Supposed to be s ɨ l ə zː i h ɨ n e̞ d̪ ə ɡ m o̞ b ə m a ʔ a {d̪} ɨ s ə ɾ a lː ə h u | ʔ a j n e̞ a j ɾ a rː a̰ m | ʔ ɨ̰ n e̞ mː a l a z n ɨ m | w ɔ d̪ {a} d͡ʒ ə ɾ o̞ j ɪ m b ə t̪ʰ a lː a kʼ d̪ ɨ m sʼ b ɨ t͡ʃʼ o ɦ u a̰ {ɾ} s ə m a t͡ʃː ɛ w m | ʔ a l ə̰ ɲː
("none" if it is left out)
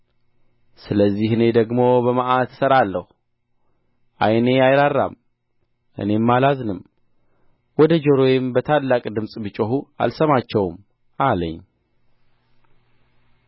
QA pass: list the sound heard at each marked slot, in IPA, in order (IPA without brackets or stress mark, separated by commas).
t̪, ə, l